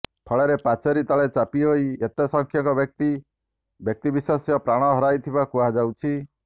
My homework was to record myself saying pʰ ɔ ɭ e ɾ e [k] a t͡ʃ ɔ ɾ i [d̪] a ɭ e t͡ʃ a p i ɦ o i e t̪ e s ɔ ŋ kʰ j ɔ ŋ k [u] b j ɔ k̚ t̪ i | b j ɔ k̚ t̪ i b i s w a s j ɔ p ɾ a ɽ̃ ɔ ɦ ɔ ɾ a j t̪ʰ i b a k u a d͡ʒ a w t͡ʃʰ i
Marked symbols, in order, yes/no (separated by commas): no, no, no